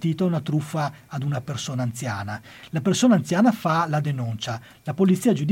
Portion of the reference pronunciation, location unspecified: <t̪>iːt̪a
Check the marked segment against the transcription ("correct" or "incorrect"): correct